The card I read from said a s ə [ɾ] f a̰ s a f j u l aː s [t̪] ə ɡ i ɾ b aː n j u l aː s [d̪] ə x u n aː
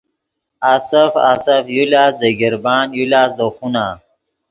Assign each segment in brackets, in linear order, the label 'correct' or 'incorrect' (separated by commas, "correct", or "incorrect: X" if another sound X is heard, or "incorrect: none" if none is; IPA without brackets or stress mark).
incorrect: none, incorrect: d̪, correct